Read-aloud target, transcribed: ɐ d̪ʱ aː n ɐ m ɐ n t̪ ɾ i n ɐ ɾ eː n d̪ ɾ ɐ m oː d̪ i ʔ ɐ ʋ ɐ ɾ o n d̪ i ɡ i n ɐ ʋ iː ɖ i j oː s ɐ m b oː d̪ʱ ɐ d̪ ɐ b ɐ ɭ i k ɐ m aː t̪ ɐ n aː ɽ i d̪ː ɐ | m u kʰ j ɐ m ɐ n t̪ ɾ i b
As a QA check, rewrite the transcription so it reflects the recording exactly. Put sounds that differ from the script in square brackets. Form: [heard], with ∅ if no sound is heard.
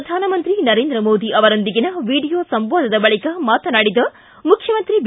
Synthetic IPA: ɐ d̪ʱ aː n ɐ m ɐ n t̪ ɾ i n ɐ ɾ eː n d̪ ɾ ɐ m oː d̪ i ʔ ɐ ʋ ɐ ɾ o n d̪ i ɡ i n ɐ ʋ iː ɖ i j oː s ɐ m b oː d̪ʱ ɐ d̪ ɐ b ɐ ɭ i k ɐ m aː t̪ ɐ n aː ɽ i [d̪] ɐ | m u kʰ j ɐ m ɐ n t̪ ɾ i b